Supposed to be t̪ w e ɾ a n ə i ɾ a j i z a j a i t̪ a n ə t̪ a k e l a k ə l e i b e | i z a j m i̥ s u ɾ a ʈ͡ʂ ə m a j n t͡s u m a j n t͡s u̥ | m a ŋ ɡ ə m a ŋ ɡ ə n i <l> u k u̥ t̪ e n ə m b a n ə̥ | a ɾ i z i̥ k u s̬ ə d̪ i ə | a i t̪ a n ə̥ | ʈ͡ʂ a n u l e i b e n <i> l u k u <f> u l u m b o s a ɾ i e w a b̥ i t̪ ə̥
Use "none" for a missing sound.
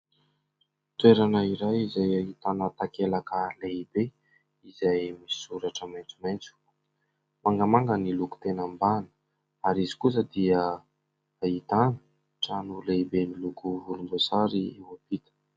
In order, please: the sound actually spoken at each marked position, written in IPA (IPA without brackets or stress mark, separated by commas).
l, i, v